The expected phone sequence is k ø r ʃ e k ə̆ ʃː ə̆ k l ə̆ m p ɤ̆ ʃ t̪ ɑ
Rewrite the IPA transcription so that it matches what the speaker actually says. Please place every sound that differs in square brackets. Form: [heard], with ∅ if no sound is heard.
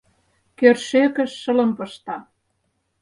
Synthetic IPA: k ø r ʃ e k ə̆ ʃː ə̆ [∅] l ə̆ m p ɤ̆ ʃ t̪ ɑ